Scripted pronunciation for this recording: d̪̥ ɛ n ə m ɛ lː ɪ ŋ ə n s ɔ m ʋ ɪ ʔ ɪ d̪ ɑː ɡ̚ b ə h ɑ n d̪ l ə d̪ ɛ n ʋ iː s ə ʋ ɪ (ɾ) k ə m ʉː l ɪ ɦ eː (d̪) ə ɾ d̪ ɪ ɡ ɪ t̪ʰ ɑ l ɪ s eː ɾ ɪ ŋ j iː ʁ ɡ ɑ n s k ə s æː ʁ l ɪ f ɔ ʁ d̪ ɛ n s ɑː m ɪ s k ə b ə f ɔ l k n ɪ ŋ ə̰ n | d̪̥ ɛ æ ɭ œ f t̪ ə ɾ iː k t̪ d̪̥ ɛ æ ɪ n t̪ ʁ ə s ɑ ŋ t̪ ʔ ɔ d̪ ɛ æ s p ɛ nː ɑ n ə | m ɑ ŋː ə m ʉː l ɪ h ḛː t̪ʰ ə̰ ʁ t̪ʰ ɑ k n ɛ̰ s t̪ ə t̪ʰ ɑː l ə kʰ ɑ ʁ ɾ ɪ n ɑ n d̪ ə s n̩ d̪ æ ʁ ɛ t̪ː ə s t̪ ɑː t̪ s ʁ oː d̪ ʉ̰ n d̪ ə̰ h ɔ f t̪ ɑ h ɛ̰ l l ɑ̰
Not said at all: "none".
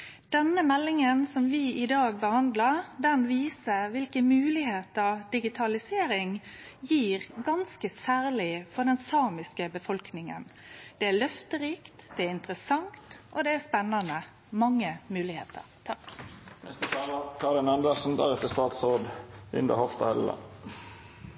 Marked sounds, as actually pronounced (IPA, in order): l, t̪

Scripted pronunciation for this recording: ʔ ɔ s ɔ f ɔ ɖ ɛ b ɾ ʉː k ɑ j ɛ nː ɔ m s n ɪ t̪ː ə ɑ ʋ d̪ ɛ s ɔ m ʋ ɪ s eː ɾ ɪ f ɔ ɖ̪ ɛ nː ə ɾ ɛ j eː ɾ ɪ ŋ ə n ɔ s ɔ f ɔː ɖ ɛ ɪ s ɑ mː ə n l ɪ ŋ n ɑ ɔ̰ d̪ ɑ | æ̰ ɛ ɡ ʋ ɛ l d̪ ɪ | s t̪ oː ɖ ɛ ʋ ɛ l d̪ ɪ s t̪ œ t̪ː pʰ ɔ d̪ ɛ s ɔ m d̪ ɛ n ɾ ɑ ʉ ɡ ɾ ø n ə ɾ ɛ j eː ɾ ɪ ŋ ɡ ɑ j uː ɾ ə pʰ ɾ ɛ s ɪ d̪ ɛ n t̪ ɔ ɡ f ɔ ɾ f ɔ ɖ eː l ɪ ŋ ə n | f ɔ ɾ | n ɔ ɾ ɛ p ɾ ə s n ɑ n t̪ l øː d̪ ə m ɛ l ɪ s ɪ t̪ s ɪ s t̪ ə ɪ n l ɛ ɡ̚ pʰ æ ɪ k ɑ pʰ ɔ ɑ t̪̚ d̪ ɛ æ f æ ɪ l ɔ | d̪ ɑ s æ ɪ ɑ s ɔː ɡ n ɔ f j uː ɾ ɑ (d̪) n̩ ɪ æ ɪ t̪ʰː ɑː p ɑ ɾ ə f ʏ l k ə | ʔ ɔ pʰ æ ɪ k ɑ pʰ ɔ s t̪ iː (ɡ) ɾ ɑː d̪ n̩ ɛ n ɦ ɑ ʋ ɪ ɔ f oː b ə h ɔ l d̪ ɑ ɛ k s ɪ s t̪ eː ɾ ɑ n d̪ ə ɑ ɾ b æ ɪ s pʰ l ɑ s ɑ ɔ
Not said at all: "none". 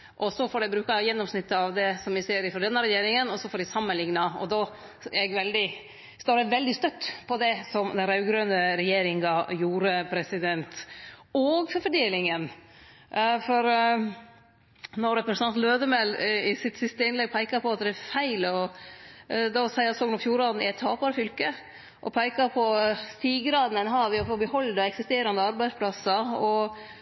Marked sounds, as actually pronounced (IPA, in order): d̪, ɡ

